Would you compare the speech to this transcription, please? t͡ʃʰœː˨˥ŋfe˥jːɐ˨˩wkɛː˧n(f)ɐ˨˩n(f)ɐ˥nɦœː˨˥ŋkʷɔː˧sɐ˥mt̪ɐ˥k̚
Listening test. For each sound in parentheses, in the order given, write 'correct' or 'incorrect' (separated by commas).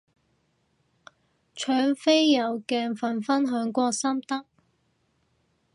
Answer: correct, correct